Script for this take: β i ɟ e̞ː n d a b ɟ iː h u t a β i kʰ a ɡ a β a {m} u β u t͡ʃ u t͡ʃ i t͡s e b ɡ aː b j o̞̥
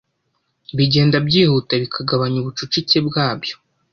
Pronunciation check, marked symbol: incorrect: ɲ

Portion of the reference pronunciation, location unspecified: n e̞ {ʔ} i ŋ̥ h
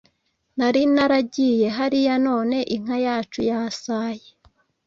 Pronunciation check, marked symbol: correct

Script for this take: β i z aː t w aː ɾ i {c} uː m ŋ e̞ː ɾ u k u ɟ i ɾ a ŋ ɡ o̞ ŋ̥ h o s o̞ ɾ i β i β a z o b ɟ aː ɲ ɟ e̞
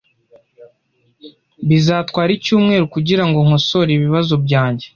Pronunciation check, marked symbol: correct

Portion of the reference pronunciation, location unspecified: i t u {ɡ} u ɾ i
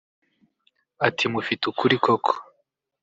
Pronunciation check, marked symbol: incorrect: k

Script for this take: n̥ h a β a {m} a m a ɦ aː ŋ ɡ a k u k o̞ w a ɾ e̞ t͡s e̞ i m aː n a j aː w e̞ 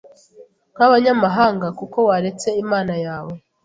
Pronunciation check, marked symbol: incorrect: ɲ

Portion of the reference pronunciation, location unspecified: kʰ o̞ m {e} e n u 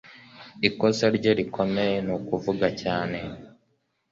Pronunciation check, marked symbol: correct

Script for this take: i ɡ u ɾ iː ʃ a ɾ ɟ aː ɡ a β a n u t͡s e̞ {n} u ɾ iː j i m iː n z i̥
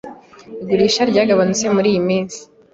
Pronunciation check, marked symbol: incorrect: m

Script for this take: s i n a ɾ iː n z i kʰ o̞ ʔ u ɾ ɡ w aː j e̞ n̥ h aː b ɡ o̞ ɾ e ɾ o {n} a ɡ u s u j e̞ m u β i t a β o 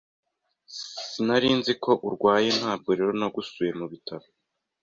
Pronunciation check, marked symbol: correct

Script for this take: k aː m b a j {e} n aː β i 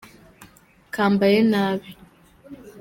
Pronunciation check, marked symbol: correct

